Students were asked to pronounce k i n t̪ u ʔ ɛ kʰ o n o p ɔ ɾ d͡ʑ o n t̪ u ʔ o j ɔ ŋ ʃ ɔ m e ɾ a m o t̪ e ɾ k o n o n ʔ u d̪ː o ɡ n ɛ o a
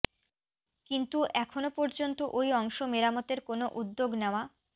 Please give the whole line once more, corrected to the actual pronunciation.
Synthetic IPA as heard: k i n t̪ u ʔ ɛ kʰ o n o p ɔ ɾ d͡ʑ o n t̪ o ʔ o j ɔ ŋ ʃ o m e ɾ a m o t̪ e ɾ k o n o ʔ u d̪ː o ɡ n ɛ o a